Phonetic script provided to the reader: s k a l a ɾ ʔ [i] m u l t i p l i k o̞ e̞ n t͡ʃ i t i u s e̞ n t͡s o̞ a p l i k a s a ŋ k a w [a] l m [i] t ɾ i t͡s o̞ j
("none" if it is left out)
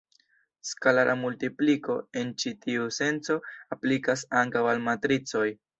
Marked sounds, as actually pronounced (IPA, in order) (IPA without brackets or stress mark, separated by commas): a, a, a